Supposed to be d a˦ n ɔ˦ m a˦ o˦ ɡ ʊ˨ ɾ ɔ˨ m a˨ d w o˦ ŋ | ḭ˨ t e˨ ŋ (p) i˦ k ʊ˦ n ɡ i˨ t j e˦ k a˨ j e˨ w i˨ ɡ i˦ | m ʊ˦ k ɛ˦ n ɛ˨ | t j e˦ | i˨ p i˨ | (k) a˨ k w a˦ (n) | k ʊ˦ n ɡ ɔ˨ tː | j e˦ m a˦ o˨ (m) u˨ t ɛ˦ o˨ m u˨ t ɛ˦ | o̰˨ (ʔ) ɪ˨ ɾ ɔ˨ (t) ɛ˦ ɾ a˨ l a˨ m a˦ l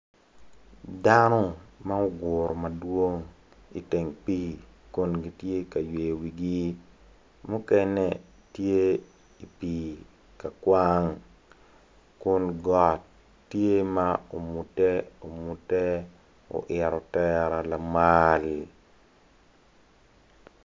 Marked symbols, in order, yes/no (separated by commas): yes, yes, no, yes, yes, yes